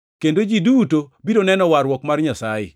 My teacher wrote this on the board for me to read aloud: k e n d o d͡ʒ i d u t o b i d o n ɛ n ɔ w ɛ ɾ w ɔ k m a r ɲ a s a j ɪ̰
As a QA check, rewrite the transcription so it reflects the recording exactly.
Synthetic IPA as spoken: k e n d o d͡ʒ i d u t o b i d o n ɛ n ɔ w a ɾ w ɔ k m a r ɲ a s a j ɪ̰

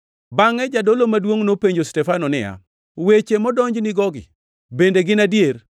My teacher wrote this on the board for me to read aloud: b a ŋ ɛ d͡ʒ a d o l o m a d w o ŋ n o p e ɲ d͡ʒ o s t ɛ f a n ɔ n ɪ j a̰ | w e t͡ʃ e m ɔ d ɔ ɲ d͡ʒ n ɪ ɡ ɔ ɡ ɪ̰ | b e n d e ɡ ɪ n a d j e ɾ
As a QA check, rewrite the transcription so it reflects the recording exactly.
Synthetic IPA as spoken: b a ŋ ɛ d͡ʒ a d o l o m a d w o ŋ n o p e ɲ d͡ʒ o s t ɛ f a n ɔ n ɪ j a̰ | w e t͡ʃ e m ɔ d ɔ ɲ d͡ʒ n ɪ ɡ ɔ ɡ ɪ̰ | b e n d e ɡ ɪ n a d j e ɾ

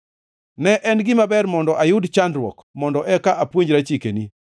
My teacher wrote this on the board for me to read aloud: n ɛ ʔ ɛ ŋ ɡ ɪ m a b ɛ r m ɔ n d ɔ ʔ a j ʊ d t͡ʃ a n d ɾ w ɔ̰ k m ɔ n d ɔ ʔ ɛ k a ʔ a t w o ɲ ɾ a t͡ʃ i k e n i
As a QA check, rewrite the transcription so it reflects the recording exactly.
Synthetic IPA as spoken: n ɛ ʔ ɛ n ɡ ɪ m a b ɛ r m ɔ n d ɔ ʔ a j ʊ d t͡ʃ a n d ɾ w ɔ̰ k m ɔ n d ɔ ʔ ɛ k a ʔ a p w o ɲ ɾ a t͡ʃ i k e n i

